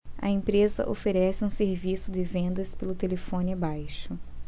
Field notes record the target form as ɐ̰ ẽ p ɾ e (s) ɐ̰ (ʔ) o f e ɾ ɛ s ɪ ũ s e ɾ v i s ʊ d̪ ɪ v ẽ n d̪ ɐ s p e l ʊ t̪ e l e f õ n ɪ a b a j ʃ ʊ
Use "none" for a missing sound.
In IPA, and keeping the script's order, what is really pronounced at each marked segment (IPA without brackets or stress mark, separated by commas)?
z, ʔ